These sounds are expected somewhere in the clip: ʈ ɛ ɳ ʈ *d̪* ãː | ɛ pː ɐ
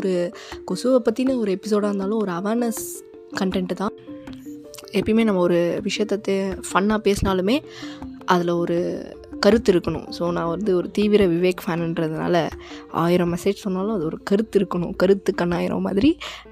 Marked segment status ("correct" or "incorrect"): incorrect